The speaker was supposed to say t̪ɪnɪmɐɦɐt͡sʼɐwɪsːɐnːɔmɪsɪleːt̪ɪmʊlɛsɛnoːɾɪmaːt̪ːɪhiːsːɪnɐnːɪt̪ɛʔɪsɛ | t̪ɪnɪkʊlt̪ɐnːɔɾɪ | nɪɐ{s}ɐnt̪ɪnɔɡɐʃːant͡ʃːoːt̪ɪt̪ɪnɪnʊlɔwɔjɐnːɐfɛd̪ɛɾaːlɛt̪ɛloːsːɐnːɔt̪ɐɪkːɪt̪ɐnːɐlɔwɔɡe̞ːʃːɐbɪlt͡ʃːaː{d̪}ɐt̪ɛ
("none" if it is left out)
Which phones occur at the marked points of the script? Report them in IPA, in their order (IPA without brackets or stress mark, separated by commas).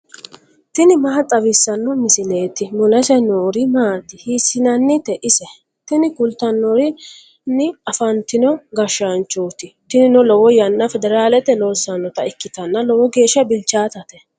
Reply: f, t̪